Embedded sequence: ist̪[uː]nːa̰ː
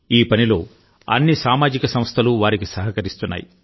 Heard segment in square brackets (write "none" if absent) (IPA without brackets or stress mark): u